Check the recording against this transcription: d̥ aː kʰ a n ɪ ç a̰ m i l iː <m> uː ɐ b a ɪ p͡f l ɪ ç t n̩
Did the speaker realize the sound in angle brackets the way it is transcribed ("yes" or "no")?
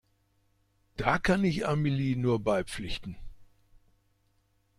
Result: no